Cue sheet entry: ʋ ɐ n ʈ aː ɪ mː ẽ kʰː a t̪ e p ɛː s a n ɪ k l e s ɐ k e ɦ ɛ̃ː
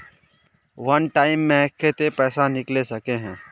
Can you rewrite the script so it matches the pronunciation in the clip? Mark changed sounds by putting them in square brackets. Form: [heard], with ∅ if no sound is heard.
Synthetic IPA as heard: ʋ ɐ n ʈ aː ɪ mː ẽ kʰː [e] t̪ e p ɛː s a n ɪ k l e s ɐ k e ɦ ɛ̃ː